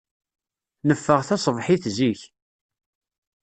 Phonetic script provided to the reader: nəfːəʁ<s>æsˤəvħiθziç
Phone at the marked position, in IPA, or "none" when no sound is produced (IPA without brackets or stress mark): θ